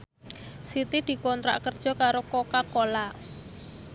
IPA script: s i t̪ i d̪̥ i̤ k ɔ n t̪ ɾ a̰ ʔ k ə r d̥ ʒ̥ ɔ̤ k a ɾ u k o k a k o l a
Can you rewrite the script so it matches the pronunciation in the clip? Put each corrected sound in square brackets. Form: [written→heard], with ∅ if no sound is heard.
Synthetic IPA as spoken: s i t̪ i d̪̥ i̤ k ɔ n t̪ ɾ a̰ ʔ k ə r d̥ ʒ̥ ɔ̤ k a ɾ [u→o] k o k a k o l a